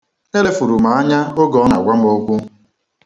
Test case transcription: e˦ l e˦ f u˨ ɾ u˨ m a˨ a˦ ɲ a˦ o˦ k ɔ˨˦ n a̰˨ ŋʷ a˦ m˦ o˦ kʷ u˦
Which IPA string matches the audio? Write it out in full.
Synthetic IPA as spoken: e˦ l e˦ f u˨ ɾ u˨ m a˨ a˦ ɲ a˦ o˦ ɡ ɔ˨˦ n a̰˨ ɡʷ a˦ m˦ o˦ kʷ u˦